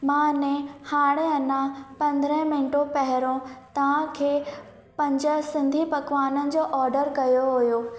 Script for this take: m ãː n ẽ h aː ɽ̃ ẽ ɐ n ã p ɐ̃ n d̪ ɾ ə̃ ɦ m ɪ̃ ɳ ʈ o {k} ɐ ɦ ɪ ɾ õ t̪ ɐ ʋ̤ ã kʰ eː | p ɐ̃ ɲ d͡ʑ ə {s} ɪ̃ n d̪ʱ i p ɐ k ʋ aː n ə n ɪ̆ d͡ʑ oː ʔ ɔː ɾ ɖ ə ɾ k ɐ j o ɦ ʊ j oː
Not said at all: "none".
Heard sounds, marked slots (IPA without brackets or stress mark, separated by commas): p, s